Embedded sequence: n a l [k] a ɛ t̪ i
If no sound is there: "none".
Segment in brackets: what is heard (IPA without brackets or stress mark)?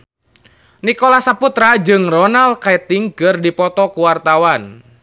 k